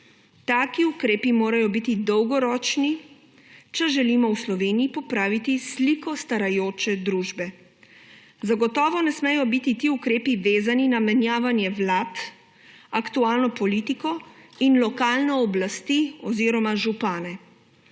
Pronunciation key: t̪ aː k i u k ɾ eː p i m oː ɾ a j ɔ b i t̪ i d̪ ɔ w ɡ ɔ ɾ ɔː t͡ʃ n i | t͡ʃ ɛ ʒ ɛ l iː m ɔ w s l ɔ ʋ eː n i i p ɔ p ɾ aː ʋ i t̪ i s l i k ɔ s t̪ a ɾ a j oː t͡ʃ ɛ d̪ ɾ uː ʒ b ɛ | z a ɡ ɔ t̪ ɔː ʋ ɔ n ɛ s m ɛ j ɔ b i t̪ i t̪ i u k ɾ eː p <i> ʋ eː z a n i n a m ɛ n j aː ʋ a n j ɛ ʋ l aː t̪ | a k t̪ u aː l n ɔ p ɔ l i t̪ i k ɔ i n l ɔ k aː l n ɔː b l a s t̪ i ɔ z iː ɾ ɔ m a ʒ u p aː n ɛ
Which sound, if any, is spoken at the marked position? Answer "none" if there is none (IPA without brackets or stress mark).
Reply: i